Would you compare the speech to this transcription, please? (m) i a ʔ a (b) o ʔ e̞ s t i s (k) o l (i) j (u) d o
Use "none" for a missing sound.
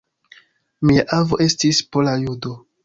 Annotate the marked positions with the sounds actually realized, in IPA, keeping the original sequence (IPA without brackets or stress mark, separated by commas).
m, v, p, a, u